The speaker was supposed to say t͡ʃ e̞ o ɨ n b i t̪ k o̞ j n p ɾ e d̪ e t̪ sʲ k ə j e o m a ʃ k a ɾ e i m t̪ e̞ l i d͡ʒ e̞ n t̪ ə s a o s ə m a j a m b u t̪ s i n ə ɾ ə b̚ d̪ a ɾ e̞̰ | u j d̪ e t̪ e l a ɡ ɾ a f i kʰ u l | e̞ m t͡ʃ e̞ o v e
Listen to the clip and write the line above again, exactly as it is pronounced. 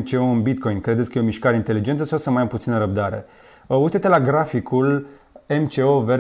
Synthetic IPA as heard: t͡ʃ e̞ o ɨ n b i t̪ k o̞ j n k ɾ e d̪ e t̪ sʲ k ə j e o m i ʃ k a ɾ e i n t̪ e̞ l i d͡ʒ e̞ n t̪ ə s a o s ə m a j a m p u t̪ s i n ə ɾ ə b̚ d̪ a ɾ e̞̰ | u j t̪ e t̪ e l a ɡ ɾ a f i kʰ u l | e̞ m t͡ʃ e̞ o v e